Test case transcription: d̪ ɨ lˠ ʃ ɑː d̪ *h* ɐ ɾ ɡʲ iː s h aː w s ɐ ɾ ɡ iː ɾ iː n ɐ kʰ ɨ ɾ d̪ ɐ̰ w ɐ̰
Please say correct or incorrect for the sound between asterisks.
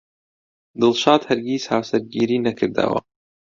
correct